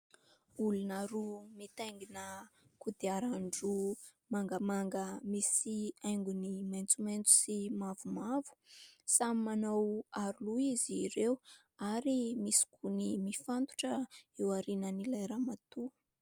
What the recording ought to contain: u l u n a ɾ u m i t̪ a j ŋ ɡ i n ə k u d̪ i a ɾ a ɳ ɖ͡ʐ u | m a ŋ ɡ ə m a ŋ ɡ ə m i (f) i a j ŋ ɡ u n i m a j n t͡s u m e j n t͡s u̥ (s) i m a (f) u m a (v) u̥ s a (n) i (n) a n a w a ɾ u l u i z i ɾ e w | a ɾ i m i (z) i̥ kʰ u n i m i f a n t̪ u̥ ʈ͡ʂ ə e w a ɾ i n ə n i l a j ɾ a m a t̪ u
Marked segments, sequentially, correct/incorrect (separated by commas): incorrect, correct, incorrect, correct, incorrect, incorrect, incorrect